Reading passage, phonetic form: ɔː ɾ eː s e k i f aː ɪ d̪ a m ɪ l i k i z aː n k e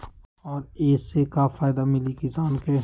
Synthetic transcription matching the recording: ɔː ɾ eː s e k a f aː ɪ d̪ a m ɪ l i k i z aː n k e

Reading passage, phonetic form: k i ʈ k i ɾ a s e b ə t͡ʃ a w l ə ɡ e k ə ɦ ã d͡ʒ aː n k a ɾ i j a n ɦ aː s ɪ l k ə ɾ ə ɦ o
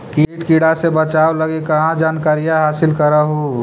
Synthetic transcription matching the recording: k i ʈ k i ɽ a s e b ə t͡ʃ a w l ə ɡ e k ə ɦ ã d͡ʒ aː n k a ɾ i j a ɦ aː s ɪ l k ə ɾ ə ɦ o

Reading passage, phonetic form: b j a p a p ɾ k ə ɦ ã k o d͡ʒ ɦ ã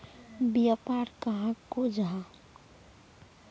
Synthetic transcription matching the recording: b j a p a ɾ k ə ɦ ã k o d͡ʒ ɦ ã

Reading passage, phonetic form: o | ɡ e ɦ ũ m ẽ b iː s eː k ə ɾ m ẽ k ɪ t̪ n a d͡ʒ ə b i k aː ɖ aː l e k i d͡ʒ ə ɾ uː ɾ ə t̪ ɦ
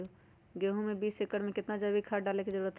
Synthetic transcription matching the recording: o | ɡ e ɦ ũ m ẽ b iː s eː k ə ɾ m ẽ k ɪ t̪ n a d͡ʒ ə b i kʰ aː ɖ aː l e k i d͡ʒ ə ɾ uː ɾ ə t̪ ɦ

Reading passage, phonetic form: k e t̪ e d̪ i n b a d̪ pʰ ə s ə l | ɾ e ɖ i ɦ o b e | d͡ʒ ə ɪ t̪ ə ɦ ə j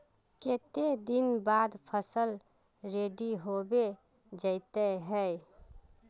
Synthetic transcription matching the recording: k e t̪ e d̪ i n b a d̪ pʰ ə s ə l | ɾ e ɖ i ɦ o b e | d͡ʒ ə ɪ t̪ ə ɦ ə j

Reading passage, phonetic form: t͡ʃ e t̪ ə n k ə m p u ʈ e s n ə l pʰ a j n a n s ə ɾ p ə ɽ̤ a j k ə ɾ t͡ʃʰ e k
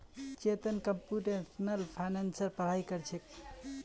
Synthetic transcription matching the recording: t͡ʃ e t̪ ə n k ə m p u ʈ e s n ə l pʰ a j n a n s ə ɾ p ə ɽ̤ a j k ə ɾ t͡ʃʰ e k

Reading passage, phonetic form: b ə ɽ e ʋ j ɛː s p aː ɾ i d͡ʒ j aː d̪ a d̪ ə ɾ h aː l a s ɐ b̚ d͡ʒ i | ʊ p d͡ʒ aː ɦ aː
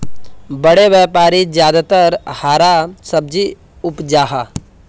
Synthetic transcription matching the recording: b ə ɽ e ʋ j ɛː p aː ɾ i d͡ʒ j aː d̪ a t̪ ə ɾ h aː ɾ a s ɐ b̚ d͡ʒ i | ʊ p d͡ʒ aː ɦ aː

